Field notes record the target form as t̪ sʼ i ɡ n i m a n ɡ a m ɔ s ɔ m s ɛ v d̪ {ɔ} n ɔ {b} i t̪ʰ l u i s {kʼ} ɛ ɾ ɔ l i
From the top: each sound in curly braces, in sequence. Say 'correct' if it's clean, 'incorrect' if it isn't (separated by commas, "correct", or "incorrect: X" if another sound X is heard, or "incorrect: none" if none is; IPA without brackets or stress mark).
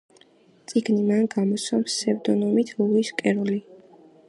correct, incorrect: m, correct